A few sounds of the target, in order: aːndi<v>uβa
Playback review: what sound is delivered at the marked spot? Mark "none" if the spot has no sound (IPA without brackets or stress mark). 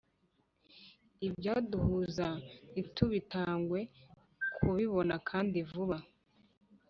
v